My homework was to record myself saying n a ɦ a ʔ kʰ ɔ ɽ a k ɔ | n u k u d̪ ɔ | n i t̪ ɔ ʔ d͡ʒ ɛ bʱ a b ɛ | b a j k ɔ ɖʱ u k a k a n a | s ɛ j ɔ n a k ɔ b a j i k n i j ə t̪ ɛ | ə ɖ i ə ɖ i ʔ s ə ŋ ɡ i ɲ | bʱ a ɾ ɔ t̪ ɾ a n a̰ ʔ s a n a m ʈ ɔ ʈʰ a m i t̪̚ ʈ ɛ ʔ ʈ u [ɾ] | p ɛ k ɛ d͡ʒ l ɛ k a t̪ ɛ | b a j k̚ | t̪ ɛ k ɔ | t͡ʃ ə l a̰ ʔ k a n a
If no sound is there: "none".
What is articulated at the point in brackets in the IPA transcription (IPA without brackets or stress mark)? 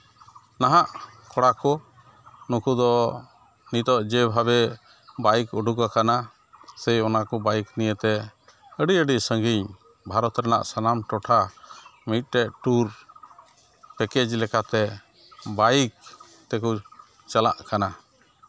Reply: ɾ